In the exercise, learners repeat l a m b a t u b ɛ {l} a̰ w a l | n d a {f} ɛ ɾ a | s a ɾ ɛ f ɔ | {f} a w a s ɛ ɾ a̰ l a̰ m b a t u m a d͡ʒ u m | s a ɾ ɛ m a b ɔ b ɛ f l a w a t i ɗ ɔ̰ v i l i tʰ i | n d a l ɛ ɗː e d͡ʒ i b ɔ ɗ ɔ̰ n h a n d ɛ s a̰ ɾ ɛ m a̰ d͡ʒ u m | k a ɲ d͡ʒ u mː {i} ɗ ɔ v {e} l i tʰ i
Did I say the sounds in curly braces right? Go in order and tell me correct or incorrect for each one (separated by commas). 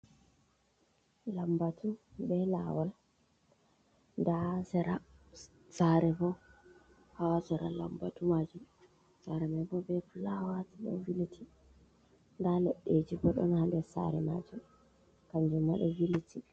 correct, incorrect, incorrect, incorrect, incorrect